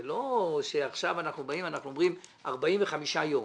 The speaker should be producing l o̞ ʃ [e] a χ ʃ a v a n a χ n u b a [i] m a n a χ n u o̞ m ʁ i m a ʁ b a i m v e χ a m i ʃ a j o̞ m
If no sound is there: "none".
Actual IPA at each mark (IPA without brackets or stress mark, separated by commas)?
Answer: e, i